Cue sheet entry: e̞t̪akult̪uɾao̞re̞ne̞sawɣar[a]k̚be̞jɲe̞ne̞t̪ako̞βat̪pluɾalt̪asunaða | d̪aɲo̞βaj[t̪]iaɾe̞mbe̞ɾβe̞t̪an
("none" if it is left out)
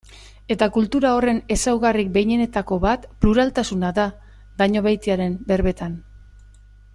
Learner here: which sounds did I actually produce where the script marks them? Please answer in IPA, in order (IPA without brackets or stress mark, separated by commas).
i, t̪